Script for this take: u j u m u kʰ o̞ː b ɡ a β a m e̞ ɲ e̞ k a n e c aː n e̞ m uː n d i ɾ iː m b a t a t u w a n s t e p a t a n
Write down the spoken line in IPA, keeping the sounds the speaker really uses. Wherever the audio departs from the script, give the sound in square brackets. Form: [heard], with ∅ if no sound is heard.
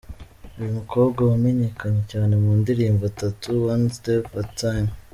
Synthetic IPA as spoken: u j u m u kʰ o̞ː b ɡ a [w] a m e̞ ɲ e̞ k a [ɲ] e c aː n e̞ m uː n d i ɾ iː m b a t a t u w a n s t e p a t a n